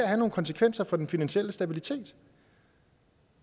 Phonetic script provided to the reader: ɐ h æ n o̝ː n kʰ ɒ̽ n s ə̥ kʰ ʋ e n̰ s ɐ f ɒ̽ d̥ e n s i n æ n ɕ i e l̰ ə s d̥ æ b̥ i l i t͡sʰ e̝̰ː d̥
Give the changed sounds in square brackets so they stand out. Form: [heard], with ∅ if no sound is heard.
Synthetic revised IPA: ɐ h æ n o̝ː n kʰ ɒ̽ n s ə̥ kʰ ʋ e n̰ s ɐ f ɒ̽ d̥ e n [f] i n æ n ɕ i e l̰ ə s d̥ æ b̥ i l i t͡sʰ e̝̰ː d̥